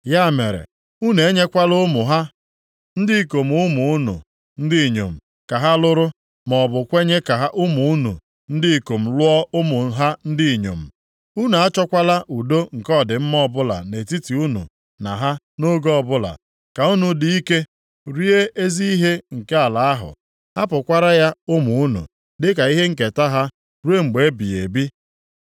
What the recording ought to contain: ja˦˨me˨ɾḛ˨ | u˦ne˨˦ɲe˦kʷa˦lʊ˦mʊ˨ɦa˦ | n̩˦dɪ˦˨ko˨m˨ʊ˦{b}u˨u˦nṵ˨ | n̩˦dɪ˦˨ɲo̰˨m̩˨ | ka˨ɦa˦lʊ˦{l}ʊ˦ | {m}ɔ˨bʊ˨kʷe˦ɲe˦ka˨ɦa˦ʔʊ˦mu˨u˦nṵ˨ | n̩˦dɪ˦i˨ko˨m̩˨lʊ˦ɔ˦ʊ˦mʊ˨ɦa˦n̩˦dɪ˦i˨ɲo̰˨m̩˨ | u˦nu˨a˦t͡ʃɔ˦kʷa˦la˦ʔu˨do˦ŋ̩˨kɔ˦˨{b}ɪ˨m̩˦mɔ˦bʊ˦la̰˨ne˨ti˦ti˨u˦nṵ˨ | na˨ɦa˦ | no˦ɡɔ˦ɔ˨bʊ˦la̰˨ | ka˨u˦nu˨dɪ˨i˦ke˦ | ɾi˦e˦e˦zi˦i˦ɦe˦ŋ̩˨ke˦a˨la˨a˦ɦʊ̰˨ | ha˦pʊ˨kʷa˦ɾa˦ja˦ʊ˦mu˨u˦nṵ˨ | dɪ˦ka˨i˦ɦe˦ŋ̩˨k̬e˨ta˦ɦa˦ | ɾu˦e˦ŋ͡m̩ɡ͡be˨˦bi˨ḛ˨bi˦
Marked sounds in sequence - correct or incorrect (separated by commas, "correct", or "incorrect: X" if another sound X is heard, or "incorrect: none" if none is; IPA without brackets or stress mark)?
incorrect: m, incorrect: ɾ, correct, incorrect: d